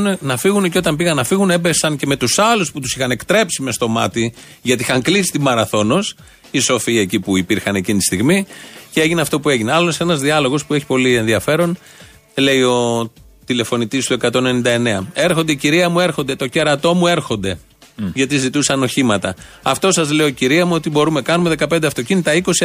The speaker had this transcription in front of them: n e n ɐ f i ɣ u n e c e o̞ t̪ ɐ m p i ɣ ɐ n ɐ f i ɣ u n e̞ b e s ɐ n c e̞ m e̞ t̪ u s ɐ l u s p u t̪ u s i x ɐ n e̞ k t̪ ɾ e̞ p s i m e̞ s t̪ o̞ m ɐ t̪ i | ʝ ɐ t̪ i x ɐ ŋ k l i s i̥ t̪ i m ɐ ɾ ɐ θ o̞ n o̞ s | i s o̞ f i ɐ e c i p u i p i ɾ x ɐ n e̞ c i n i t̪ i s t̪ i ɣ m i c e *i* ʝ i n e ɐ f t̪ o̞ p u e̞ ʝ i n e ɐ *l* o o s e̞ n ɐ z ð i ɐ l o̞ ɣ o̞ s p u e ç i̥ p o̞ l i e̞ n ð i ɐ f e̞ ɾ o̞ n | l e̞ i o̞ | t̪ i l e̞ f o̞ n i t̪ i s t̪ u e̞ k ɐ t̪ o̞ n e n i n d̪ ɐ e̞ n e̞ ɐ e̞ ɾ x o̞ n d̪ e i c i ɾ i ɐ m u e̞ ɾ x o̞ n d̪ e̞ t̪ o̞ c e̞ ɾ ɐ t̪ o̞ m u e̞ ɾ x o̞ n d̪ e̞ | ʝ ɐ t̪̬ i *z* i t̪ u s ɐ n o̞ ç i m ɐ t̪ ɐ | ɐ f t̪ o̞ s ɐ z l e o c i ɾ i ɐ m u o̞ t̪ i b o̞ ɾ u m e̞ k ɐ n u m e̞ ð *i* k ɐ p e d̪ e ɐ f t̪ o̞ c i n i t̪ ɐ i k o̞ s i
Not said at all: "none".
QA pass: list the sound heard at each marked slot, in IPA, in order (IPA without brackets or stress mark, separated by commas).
e, l, z, e